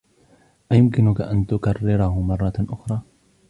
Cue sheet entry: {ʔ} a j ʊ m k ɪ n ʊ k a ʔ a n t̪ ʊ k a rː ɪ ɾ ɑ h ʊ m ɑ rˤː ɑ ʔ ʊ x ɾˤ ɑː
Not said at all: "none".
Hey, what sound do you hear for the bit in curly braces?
ʔ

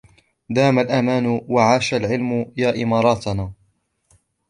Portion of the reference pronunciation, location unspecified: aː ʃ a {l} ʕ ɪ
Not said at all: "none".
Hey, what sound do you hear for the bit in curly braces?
l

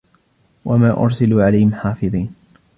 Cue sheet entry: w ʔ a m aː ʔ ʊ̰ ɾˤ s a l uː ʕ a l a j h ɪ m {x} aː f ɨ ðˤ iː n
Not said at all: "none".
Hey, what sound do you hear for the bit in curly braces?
ħ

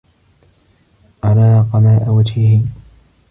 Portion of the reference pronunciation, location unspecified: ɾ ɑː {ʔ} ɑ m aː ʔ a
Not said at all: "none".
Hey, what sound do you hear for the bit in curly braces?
q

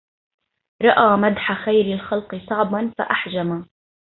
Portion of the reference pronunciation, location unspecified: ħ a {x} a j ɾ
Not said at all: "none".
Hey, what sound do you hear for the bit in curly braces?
x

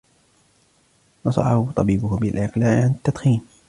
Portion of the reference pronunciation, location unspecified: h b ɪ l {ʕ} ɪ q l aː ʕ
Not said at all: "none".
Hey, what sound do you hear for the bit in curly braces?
ʕ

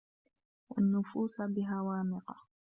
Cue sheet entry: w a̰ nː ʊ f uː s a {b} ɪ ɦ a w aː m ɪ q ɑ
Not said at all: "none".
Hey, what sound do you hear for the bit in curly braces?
b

